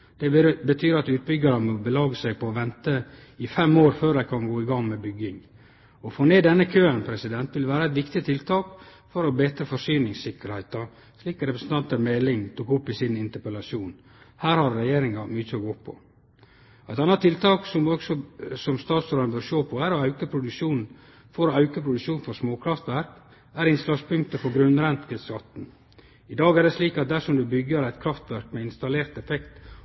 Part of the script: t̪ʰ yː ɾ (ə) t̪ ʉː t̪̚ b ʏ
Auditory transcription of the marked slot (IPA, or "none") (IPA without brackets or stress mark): ɑ